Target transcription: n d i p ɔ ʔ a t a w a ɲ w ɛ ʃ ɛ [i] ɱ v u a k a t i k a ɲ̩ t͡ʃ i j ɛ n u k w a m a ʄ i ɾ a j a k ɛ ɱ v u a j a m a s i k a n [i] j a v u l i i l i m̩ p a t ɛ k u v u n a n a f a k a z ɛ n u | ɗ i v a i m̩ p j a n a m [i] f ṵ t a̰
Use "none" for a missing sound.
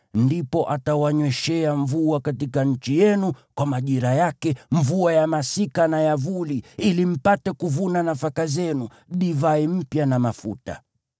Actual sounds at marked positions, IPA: a, a, a

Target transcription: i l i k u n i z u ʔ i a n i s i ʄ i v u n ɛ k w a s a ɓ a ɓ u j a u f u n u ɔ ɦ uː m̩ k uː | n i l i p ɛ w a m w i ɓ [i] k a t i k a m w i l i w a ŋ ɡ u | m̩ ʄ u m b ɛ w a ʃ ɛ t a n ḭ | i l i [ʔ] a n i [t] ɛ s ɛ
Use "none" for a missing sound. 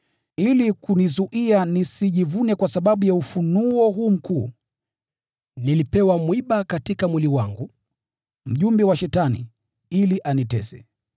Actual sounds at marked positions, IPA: a, ʔ, t

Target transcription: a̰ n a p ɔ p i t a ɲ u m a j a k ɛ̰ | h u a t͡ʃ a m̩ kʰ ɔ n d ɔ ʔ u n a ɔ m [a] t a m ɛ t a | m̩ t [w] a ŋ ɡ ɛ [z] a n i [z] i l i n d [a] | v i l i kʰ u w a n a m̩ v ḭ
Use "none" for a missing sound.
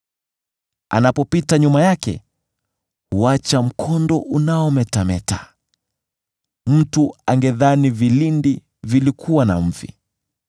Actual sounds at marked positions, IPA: ɛ, u, ð, v, i

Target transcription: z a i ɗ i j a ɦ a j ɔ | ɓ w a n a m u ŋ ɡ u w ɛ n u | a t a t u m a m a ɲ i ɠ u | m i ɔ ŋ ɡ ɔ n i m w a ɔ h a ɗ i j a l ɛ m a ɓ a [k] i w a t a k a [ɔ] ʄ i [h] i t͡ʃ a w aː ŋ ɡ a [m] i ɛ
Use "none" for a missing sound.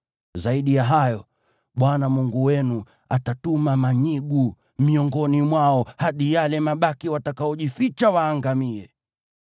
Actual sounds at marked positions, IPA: k, ɔ, f, m

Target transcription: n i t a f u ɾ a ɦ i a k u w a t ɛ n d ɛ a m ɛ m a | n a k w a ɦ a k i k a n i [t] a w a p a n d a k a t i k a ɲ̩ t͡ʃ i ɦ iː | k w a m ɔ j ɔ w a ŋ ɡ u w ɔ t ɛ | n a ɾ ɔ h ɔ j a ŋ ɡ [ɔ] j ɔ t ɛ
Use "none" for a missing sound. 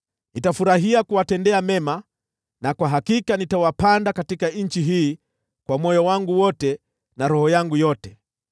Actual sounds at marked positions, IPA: t, u

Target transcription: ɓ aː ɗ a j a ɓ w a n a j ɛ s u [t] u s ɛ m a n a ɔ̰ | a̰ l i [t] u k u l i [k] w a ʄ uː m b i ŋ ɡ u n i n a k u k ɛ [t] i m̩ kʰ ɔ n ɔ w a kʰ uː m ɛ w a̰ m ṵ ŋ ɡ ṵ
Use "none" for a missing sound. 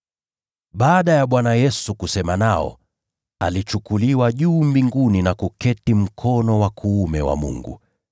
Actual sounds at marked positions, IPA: k, t͡ʃ, none, t

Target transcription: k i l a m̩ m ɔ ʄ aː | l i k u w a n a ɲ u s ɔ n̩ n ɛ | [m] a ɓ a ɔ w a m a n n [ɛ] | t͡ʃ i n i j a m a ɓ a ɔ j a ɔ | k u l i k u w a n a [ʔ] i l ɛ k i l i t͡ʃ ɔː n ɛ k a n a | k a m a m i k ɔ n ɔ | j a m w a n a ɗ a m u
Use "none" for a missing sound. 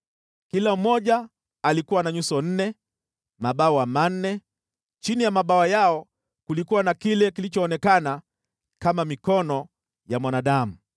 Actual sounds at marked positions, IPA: m, ɛ, k

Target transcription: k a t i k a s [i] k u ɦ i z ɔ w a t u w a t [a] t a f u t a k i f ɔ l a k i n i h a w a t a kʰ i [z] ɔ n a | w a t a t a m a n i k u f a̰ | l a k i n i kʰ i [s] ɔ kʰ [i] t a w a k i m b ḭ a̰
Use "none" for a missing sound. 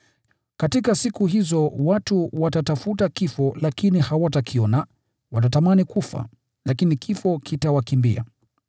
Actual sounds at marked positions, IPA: i, a, none, f, i

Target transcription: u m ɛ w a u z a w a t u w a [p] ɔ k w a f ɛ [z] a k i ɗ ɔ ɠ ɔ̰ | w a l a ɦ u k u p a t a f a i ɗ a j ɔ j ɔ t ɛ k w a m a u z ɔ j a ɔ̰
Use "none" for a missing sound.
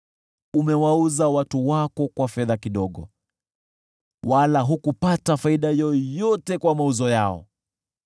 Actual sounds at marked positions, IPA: k, ð

